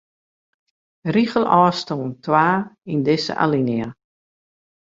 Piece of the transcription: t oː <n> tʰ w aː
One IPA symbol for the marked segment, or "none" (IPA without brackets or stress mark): n